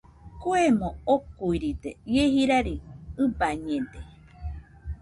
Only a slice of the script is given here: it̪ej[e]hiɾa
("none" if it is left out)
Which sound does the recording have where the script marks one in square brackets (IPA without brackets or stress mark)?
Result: e